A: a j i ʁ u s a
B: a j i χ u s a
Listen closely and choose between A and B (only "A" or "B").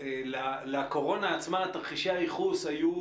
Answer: B